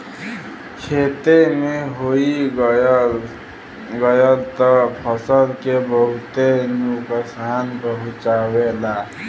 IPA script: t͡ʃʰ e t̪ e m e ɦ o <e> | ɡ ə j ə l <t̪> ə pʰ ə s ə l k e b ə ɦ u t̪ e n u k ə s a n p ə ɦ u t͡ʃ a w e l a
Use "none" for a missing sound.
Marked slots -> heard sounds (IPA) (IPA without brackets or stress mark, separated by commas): i, t̪